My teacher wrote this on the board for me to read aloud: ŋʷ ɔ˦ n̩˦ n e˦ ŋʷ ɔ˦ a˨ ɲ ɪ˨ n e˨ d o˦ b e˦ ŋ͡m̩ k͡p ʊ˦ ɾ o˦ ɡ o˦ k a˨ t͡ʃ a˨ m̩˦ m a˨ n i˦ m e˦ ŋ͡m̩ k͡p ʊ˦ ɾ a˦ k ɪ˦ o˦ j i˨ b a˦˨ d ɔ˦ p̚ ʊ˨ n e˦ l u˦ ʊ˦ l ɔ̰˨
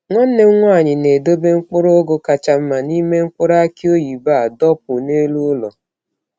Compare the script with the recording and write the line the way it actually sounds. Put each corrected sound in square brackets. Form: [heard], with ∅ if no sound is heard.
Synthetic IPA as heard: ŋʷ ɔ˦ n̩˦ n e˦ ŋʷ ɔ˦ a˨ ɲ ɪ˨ n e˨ d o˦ b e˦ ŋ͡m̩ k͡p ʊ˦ ɾ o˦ ɡ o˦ k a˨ t͡ʃ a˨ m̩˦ m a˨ n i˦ m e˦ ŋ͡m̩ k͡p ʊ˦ ɾ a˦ k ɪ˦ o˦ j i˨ b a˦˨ d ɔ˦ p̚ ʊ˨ n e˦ l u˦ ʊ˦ l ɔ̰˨